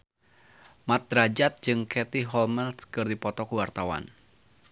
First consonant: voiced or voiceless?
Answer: voiced